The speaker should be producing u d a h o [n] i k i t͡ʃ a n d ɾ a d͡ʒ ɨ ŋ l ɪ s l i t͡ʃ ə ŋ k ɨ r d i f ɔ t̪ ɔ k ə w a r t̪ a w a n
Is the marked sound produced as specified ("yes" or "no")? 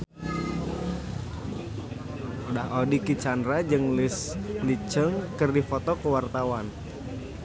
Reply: no